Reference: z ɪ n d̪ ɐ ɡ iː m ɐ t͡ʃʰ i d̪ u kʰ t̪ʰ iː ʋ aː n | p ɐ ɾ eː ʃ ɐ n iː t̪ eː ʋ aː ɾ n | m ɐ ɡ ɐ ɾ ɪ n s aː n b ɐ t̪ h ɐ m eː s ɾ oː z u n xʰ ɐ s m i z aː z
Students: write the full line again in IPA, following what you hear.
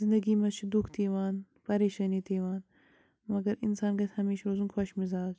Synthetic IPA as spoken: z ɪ n d̪ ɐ ɡ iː m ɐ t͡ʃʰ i d̪ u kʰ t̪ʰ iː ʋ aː n | p ɐ ɾ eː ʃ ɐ n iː t̪ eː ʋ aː n | m ɐ ɡ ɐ ɾ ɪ n s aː n ɡ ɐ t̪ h ɐ m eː ʃ ɾ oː z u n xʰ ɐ ʃ m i z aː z